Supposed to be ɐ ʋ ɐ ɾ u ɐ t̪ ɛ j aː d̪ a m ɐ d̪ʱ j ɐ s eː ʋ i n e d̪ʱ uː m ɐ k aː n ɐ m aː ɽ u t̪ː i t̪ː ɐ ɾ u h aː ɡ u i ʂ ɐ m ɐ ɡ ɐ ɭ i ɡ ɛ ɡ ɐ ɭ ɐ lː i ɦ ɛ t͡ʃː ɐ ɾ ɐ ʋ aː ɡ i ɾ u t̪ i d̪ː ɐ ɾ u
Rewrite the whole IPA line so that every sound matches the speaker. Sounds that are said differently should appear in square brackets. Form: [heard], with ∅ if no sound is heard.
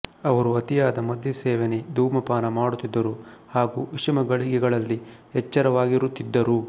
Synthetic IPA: ɐ ʋ ɐ ɾ u ɐ t̪ [i] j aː d̪ [ɐ] m ɐ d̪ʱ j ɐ s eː ʋ [e] n e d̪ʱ uː m ɐ [p] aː n ɐ m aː ɽ u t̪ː i [d̪ː] ɐ ɾ u h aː ɡ u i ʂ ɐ m ɐ ɡ ɐ ɭ i ɡ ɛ ɡ ɐ ɭ ɐ lː i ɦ ɛ t͡ʃː ɐ ɾ ɐ ʋ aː ɡ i ɾ u t̪ i d̪ː ɐ ɾ u

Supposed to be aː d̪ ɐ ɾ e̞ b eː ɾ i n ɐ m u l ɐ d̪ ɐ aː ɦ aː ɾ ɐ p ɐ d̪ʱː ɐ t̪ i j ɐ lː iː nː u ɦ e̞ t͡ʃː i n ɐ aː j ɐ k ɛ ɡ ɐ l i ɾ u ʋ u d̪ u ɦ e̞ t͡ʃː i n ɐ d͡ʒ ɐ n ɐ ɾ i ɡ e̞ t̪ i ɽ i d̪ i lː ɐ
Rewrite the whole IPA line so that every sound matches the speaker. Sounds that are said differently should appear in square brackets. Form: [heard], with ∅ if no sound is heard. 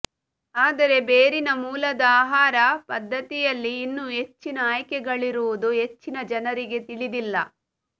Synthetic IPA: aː d̪ ɐ ɾ e̞ b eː ɾ i n ɐ m [uː] l ɐ d̪ ɐ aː ɦ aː ɾ ɐ p ɐ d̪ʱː ɐ t̪ i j ɐ lː iː nː u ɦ e̞ t͡ʃː i n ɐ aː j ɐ k ɛ ɡ ɐ [ɭ] i ɾ u ʋ u d̪ u ɦ e̞ t͡ʃː i n ɐ d͡ʒ ɐ n ɐ ɾ i ɡ e̞ t̪ i [ɭ] i d̪ i lː ɐ

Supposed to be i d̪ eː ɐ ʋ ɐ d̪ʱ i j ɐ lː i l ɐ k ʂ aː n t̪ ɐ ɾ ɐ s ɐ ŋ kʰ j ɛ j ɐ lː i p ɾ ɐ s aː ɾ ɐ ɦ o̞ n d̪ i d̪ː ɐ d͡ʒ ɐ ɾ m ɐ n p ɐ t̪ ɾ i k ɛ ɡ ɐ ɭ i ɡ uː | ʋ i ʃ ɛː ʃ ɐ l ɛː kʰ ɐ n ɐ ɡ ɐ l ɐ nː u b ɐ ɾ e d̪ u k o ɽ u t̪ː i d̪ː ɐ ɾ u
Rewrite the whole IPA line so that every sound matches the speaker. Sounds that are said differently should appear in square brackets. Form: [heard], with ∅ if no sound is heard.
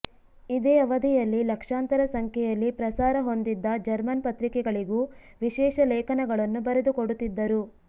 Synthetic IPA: i d̪ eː ɐ ʋ ɐ d̪ʱ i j ɐ lː i l ɐ k ʂ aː n t̪ ɐ ɾ ɐ s ɐ ŋ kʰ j ɛ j ɐ lː i p ɾ ɐ s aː ɾ ɐ ɦ o̞ n d̪ i d̪ː ɐ d͡ʒ ɐ ɾ m ɐ n p ɐ t̪ ɾ i k ɛ ɡ ɐ ɭ i ɡ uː | ʋ i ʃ ɛː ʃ ɐ l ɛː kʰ ɐ n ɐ ɡ ɐ [ɭ] ɐ nː u b ɐ ɾ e d̪ u k o ɽ u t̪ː i d̪ː ɐ ɾ u

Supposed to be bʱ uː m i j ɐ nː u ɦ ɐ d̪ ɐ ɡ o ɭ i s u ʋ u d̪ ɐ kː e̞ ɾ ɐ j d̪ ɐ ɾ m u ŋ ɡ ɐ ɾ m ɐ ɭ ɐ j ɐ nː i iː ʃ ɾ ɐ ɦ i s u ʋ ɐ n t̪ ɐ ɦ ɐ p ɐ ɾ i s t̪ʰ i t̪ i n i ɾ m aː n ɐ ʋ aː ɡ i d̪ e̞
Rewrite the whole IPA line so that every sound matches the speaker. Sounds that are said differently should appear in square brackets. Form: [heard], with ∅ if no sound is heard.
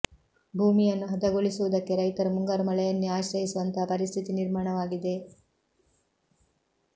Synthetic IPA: bʱ uː m i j ɐ nː u ɦ ɐ d̪ ɐ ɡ o ɭ i s u ʋ u d̪ ɐ kː e̞ ɾ ɐ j [t̪] ɐ ɾ m u ŋ ɡ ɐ ɾ m ɐ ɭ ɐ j ɐ nː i [aː] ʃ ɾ ɐ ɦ i s u ʋ ɐ n t̪ ɐ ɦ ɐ p ɐ ɾ i s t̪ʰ i t̪ i n i ɾ m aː [ɳ] ɐ ʋ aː ɡ i d̪ e̞

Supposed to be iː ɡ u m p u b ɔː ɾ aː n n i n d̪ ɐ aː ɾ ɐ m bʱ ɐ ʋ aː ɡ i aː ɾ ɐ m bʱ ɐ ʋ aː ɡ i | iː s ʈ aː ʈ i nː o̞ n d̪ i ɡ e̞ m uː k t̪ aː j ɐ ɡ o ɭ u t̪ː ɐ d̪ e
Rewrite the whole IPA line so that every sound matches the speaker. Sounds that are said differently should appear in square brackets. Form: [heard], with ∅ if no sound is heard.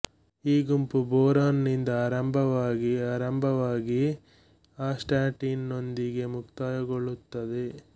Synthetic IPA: iː ɡ u m p u b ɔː ɾ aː n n i n d̪ ɐ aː ɾ ɐ m bʱ ɐ ʋ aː ɡ i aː ɾ ɐ m bʱ ɐ ʋ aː ɡ i | [aː] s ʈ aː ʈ i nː o̞ n d̪ i ɡ e̞ m [u] k t̪ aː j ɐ ɡ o ɭ u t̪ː ɐ d̪ e

